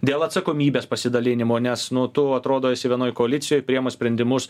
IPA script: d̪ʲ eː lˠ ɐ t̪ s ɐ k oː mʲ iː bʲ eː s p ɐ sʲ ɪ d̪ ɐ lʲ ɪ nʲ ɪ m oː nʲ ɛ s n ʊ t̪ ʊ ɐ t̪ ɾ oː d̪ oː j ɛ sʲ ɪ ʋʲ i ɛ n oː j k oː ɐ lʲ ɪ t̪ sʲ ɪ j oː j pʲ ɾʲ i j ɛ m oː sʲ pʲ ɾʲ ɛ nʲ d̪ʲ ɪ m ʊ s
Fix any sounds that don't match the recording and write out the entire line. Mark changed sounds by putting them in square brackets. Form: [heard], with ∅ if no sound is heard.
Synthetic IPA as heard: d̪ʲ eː lˠ ɐ t̪ s ɐ k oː mʲ iː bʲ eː s p ɐ sʲ ɪ d̪ ɐ lʲ ɪ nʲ ɪ m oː nʲ ɛ s n ʊ t̪ ʊ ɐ t̪ ɾ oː d̪ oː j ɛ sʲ ɪ ʋʲ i ɛ n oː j k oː ɐ lʲ ɪ t̪ sʲ ɪ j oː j pʲ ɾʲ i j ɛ m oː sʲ pʲ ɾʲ ɛ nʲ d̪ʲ ɪ m ʊ s